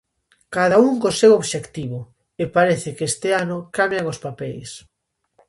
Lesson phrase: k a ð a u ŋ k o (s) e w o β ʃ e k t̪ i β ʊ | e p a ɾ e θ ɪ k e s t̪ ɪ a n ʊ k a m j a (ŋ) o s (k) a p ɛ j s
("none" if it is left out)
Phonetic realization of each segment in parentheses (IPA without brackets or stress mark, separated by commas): s, ŋ, p